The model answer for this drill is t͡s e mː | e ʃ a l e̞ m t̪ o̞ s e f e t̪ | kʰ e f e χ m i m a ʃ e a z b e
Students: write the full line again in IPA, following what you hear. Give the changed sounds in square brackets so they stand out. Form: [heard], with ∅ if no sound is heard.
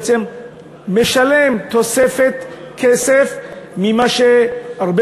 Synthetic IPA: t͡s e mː | e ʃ a l e̞ m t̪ o̞ s e f e t̪ | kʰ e [s] e [f] m i m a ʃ e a [ʁ] b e